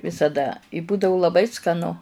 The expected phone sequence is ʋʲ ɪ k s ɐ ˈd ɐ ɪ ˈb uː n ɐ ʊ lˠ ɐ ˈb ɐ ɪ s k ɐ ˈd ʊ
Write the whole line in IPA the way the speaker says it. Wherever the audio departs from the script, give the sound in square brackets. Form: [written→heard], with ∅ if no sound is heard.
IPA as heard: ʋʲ ɪ [k→∅] s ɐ ˈd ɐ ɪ ˈb uː [n→d] ɐ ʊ lˠ ɐ ˈb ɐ ɪ s k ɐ [ˈd→ˈn] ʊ